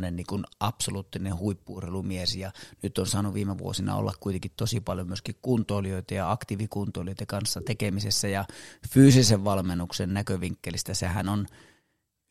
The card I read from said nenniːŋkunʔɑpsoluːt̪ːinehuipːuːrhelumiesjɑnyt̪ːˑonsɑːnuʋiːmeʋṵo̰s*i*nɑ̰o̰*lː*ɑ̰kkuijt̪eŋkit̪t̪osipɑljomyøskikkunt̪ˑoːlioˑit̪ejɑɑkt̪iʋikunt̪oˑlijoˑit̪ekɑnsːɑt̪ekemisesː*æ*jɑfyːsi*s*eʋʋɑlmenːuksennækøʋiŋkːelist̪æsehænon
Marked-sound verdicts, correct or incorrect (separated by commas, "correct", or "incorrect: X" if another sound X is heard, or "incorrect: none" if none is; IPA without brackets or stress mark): correct, correct, correct, correct